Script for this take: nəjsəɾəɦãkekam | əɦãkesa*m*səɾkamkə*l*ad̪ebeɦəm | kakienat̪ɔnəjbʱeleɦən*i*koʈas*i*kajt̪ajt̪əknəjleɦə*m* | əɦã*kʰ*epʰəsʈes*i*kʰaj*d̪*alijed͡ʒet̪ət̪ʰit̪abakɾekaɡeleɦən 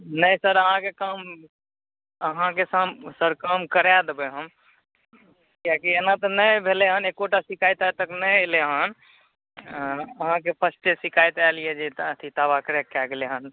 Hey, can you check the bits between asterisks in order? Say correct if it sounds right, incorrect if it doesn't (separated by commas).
correct, incorrect, incorrect, correct, incorrect, incorrect, correct, incorrect